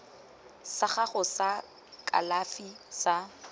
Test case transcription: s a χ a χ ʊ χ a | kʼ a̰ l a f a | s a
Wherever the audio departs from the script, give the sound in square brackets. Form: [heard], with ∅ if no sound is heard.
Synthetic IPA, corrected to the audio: s a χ a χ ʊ [s] a | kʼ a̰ l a f [i] | s a